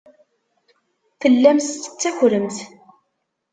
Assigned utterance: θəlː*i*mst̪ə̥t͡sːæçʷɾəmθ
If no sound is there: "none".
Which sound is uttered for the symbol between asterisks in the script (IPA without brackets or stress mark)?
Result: æ